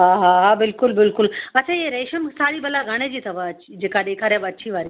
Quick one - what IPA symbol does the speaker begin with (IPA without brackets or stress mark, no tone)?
ɦ